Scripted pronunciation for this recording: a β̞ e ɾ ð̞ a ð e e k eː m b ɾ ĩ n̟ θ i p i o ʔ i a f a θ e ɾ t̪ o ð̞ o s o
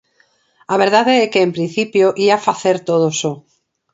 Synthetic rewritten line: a β̞ e ɾ ð̞ a ð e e k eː m p ɾ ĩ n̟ θ i p j o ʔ i a f a θ e ɾ t̪ o ð̞ o s o

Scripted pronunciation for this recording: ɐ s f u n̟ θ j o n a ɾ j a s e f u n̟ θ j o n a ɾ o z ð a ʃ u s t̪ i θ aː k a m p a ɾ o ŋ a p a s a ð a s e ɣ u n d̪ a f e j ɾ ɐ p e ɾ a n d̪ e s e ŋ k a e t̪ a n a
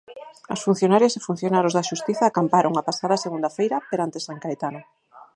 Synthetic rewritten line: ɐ s f u n̟ θ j o n a ɾ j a s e f u n̟ θ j o n a ɾ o z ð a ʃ u s t̪ i θ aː k a m p a ɾ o ŋ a p a s a ð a s e ɣ u n d̪ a f e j ɾ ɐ p e ɾ a n t̪ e s a ŋ k a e t̪ a n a

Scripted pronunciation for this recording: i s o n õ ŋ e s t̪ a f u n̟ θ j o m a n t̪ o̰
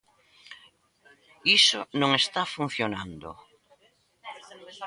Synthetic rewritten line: i s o n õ ŋ e s t̪ a f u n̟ θ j o n a n d̪ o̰

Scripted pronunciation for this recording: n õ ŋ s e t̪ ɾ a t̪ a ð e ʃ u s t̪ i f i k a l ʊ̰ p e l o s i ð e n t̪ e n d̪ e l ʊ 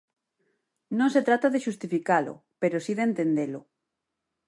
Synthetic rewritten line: n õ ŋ s e t̪ ɾ a t̪ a ð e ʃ u s t̪ i f i k a l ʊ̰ p e ɾ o s i ð e n t̪ e n d̪ e l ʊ

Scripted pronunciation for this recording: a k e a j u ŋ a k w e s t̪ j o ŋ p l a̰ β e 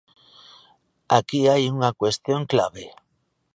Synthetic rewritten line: a k i a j u ŋ a k w e s t̪ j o ŋ k l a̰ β e

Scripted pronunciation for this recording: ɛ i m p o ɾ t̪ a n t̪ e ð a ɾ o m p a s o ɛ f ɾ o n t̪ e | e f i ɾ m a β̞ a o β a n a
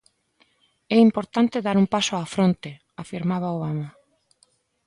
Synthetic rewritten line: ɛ i m p o ɾ t̪ a n t̪ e ð a ɾ u m p a s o a f ɾ o n t̪ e | a f i ɾ m a β̞ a o β a m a

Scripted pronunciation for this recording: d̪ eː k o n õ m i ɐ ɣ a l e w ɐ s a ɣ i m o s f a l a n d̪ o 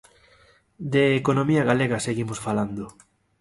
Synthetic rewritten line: d̪ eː k o n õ m i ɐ ɣ a l e ɣ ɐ s e ɣ i m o s f a l a n d̪ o

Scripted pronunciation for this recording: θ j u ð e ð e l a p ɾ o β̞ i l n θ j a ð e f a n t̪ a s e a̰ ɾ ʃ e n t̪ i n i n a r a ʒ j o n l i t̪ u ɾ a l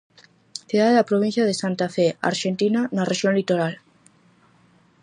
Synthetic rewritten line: θ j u ð a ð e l a p ɾ o β̞ i n θ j a ð e s a n t̪ a f e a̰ ɾ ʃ e n t̪ i n a n a r e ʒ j o n l i t̪ o ɾ a l

